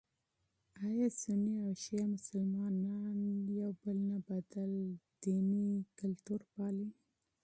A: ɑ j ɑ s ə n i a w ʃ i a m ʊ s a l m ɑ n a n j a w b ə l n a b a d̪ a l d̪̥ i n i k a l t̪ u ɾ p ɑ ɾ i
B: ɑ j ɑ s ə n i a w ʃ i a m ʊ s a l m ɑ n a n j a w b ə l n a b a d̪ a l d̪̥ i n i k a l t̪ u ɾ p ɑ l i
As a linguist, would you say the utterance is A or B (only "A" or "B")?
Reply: B